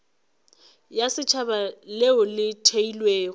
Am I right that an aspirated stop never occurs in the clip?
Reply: no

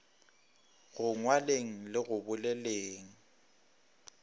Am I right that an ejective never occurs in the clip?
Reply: yes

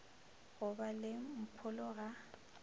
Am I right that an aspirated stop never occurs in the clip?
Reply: no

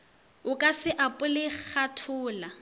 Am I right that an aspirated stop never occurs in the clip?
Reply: no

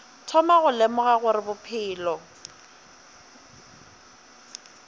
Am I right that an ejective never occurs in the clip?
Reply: yes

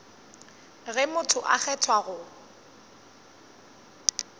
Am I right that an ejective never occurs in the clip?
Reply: yes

